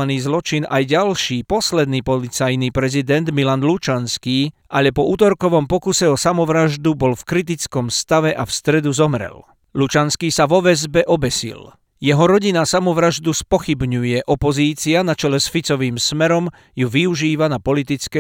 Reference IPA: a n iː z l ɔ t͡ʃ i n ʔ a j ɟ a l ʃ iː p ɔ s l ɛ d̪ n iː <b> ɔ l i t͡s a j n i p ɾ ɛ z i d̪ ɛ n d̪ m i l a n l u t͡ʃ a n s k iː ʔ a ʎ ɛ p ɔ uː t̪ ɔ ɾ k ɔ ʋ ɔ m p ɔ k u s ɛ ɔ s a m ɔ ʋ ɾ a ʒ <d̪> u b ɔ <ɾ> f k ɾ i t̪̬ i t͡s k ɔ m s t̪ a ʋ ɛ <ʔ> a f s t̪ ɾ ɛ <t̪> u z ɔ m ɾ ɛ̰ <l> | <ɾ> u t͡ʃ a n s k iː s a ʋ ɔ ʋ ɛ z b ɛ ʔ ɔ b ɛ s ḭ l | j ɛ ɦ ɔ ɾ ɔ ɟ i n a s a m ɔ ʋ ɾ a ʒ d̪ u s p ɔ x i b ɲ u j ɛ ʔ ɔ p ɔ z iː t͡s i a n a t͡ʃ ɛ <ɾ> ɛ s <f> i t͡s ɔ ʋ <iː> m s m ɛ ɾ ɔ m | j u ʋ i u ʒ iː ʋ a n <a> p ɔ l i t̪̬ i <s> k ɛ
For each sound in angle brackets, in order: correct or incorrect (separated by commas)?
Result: incorrect, correct, incorrect, correct, incorrect, correct, incorrect, incorrect, correct, correct, correct, incorrect